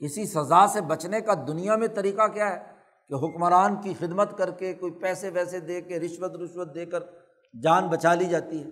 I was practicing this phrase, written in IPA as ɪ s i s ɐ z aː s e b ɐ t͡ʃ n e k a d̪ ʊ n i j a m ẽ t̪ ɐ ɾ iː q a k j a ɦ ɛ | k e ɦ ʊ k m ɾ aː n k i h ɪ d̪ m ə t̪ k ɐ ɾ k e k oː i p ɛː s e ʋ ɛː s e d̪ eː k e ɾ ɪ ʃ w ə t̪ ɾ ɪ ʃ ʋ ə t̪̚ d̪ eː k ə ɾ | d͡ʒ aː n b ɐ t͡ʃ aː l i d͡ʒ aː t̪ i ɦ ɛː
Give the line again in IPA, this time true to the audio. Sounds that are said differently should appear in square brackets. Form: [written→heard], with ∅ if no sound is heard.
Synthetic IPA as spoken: ɪ s i s ɐ z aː s e b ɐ t͡ʃ n e k a d̪ ʊ n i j a m ẽ t̪ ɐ ɾ iː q a k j a ɦ ɛ | k e ɦ ʊ k m ɾ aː n k i [h→x] ɪ d̪ m ə t̪ k ɐ ɾ k e k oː i p ɛː s e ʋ ɛː s e d̪ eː k e ɾ ɪ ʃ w ə t̪ ɾ ɪ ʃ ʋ ə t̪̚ d̪ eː k ə ɾ | d͡ʒ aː n b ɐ t͡ʃ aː l i d͡ʒ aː t̪ i ɦ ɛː